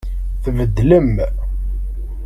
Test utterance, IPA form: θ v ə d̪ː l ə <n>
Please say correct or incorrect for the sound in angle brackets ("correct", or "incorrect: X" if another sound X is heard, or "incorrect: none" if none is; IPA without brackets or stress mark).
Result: incorrect: m